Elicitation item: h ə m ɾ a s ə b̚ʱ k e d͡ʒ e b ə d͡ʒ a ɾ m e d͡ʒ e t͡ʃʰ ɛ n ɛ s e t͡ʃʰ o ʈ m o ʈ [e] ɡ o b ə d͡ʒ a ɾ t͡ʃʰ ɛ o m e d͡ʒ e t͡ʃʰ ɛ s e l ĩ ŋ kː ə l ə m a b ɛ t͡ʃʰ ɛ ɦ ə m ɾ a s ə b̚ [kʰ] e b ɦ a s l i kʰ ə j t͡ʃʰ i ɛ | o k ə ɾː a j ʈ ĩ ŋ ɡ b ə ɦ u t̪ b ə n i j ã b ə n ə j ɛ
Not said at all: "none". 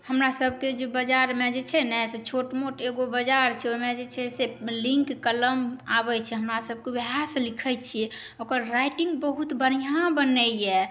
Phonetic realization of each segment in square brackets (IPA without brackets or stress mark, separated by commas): e, k